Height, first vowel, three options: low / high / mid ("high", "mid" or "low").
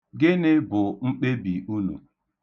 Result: high